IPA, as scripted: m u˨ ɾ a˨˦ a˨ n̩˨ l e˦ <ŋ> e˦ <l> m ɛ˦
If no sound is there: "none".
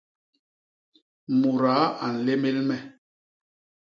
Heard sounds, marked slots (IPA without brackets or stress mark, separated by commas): m, l